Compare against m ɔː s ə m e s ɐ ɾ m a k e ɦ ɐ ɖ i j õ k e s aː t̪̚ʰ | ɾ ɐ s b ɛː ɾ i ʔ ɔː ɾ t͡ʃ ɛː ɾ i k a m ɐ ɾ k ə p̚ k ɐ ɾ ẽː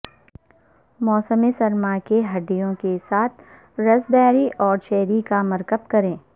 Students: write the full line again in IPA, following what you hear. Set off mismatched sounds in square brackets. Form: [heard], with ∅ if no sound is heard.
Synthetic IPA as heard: m ɔː s ə m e s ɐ ɾ m a k e ɦ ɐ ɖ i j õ k e s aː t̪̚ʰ | ɾ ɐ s b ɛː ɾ i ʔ ɔː ɾ t͡ʃ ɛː ɾ i k a m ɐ ɾ k ə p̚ k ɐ ɾ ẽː